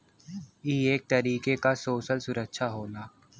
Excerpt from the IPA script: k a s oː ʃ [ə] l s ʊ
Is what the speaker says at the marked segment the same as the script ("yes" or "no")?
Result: yes